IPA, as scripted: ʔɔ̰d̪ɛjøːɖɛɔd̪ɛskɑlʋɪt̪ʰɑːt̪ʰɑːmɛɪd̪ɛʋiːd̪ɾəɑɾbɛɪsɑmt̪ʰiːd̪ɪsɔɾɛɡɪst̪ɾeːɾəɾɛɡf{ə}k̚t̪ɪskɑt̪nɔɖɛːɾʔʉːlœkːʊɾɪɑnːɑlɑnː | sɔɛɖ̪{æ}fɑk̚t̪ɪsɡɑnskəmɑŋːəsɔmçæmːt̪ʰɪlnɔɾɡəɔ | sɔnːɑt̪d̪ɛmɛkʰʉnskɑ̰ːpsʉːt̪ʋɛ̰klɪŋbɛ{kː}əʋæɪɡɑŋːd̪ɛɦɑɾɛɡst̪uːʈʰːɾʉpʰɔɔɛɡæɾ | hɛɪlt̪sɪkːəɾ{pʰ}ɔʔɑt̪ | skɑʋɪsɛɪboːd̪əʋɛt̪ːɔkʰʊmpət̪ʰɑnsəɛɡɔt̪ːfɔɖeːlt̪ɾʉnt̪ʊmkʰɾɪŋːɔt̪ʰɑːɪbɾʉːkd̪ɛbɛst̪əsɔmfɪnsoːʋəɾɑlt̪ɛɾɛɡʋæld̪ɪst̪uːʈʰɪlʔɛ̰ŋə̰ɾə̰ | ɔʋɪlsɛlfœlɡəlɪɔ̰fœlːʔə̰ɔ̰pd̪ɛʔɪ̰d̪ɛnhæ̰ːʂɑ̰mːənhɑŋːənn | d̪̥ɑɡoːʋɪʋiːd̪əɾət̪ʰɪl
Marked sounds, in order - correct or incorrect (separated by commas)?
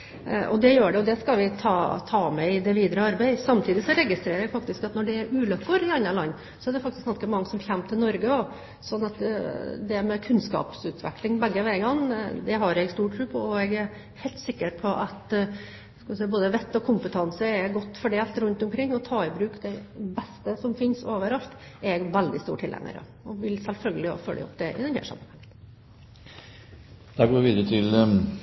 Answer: incorrect, incorrect, incorrect, correct